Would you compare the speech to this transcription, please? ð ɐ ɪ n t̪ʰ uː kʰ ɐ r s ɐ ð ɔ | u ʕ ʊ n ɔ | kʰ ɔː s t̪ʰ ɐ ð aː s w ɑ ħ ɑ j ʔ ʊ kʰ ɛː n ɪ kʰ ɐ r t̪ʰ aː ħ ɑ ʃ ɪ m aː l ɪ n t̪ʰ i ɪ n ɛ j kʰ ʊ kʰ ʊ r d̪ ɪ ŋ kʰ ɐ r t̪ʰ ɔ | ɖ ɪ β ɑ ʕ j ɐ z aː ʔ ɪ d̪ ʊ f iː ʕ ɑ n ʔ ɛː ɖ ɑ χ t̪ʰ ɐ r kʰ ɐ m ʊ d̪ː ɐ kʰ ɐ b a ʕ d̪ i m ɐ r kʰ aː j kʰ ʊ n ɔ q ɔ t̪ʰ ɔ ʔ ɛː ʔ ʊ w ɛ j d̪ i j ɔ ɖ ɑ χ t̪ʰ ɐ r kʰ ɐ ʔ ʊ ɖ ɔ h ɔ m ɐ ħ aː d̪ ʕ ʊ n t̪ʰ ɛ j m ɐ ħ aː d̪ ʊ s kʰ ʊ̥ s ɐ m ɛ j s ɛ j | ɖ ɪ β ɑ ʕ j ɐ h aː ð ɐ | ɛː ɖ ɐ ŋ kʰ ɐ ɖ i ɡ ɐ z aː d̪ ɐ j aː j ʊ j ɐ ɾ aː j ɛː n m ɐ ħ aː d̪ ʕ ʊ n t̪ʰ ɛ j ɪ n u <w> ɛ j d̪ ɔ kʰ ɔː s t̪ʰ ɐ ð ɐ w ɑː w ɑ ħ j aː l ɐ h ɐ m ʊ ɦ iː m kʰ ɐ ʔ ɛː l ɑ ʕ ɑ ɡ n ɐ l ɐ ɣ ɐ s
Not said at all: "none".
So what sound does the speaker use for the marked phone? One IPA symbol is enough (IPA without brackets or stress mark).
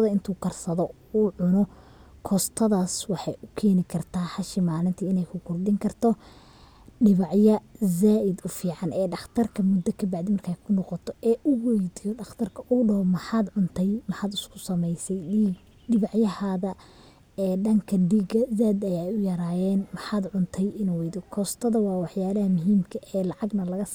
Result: w